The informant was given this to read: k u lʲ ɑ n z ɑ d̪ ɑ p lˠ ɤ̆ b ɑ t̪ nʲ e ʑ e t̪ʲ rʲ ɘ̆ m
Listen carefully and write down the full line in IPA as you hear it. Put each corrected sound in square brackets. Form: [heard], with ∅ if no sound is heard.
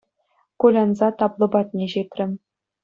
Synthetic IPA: k u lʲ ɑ n z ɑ [t̪] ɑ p lˠ ɤ̆ b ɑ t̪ nʲ e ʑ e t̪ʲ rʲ ɘ̆ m